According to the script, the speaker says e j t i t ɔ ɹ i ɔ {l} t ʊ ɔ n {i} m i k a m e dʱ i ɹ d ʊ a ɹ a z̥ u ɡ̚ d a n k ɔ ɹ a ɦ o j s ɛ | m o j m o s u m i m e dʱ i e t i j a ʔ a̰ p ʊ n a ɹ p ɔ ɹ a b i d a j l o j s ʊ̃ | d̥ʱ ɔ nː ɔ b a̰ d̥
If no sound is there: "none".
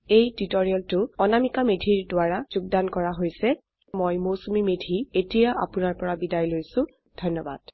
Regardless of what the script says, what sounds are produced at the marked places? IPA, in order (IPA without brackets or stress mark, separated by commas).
l, a